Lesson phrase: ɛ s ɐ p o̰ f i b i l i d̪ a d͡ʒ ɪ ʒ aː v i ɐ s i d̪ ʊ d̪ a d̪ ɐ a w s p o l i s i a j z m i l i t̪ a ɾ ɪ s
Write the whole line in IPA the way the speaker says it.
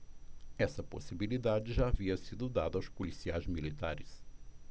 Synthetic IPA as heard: ɛ s ɐ p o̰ s i b i l i d̪ a d͡ʒ ɪ ʒ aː v i ɐ s i d̪ ʊ d̪ a d̪ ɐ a w s p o l i s i a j z m i l i t̪ a ɾ ɪ s